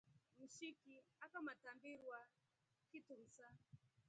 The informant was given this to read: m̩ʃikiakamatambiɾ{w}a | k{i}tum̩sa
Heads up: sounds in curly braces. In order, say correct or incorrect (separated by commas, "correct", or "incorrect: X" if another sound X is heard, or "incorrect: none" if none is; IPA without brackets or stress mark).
correct, correct